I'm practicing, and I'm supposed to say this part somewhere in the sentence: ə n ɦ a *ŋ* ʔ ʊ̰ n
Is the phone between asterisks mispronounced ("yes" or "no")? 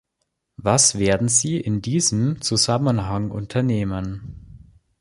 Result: no